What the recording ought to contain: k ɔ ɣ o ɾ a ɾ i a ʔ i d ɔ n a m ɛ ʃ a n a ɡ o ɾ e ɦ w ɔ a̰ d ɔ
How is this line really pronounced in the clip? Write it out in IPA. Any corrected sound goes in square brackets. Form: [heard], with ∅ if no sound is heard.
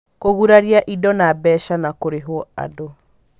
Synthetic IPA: k [o] ɣ [u] ɾ a ɾ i a ʔ i d ɔ n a [b] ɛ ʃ a n a [k] o ɾ e ɦ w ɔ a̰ d [o]